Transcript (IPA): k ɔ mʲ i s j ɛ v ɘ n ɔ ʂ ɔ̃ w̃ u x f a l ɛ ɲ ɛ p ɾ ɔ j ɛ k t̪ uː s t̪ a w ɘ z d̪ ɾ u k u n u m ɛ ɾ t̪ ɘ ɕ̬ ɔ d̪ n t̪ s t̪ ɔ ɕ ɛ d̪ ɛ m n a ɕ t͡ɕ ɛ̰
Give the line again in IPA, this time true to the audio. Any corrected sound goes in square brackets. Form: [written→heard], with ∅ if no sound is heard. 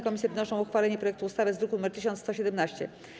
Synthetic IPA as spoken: k ɔ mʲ i s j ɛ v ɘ n ɔ ʂ ɔ̃ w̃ u x f a l ɛ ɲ ɛ p ɾ ɔ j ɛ k t̪ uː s t̪ a [w→v] ɘ z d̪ ɾ u k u n u m ɛ ɾ t̪ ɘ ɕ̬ ɔ [d̪→∅] n t̪ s t̪ ɔ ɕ ɛ d̪ ɛ m n a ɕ t͡ɕ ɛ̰